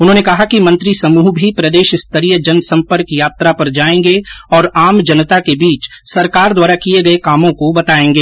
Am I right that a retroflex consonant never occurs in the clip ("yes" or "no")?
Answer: yes